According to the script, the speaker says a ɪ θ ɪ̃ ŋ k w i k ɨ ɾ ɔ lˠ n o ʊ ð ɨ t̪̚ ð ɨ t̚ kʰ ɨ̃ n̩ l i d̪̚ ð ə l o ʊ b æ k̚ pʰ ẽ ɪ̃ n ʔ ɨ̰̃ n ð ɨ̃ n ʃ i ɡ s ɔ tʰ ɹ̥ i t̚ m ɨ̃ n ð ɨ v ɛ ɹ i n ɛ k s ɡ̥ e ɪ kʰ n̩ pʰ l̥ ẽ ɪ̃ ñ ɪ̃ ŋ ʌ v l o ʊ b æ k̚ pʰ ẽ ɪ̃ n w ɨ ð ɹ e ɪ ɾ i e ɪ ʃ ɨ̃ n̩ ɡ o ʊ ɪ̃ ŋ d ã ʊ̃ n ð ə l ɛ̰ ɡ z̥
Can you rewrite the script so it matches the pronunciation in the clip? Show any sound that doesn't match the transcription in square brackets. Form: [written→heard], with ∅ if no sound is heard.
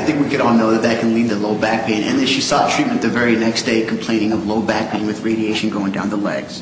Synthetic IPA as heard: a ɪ θ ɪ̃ ŋ k w i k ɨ ɾ ɔ lˠ n o ʊ ð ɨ t̪̚ ð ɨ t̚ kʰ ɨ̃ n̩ l i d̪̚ ð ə l o ʊ b æ k̚ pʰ ẽ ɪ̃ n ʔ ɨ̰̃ n ð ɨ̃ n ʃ i [ɡ→∅] s ɔ tʰ ɹ̥ i t̚ m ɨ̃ n ð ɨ v ɛ ɹ i n ɛ k s [ɡ̥→d̥] e ɪ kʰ [n̩→m̩] pʰ l̥ ẽ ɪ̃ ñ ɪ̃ ŋ ʌ v l o ʊ b æ k̚ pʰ ẽ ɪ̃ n w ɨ ð ɹ e ɪ ɾ i e ɪ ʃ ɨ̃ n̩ ɡ o ʊ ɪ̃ ŋ d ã ʊ̃ n ð ə l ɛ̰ ɡ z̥